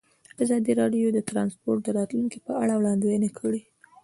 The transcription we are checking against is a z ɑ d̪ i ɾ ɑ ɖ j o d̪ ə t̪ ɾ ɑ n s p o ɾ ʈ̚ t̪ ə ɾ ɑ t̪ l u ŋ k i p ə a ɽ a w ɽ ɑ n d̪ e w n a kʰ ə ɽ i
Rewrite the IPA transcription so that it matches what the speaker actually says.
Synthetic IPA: a z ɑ d̪ i ɾ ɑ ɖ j o d̪ ə t̪ ɾ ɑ n s p o ɾ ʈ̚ d̪ ə ɾ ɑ t̪ l u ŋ k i p ə a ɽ a w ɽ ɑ n d̪ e w n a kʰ ə ɽ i